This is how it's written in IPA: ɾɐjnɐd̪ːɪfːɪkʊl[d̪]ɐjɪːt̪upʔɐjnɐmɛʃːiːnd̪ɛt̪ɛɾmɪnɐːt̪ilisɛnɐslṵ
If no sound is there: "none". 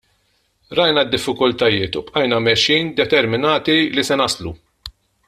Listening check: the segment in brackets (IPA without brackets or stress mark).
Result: t̪